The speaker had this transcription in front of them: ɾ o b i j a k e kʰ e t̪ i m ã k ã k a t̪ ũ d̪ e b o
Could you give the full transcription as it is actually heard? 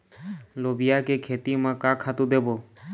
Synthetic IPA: l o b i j a k e kʰ e t̪ i m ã k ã kʰ a t̪ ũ d̪ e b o